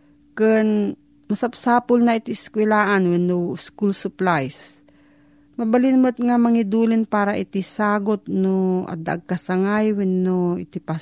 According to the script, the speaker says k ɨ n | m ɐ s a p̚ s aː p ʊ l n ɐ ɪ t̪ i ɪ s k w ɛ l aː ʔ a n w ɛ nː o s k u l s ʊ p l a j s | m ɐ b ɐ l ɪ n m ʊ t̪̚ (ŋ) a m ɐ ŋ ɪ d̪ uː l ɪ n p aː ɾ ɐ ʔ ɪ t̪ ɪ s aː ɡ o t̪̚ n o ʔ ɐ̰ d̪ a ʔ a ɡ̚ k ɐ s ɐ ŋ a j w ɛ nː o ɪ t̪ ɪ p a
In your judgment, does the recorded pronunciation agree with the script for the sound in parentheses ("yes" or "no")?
yes